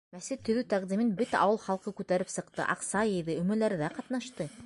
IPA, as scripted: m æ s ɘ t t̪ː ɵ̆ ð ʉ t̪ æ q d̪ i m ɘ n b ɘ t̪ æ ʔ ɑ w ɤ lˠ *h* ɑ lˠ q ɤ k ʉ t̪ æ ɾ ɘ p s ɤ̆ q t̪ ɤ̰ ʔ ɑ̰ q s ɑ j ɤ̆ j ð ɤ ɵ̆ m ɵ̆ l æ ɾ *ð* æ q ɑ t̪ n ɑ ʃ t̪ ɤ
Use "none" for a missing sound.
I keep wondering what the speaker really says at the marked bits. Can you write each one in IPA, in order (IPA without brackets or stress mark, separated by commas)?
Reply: χ, ð